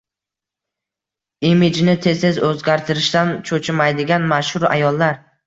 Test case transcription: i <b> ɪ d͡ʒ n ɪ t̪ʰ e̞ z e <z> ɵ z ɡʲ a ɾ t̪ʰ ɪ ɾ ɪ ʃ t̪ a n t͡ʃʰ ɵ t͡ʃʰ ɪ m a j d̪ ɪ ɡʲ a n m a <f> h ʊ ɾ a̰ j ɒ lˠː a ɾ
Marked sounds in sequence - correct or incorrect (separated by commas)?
incorrect, correct, incorrect